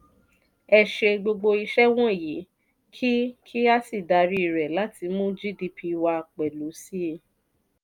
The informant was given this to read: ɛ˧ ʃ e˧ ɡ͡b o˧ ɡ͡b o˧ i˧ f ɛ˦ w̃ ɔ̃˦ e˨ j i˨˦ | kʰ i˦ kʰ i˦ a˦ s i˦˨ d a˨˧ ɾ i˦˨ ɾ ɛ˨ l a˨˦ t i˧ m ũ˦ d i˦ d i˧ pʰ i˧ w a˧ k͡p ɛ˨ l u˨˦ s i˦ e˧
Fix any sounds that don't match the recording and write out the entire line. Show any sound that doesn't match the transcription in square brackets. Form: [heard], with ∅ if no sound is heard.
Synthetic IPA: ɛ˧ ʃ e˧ ɡ͡b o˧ ɡ͡b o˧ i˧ [ʃ] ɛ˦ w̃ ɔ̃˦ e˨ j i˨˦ | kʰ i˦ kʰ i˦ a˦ s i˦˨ d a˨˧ ɾ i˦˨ ɾ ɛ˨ l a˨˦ t i˧ m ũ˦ [d͡ʒ] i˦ d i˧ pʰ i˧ w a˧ k͡p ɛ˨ l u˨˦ s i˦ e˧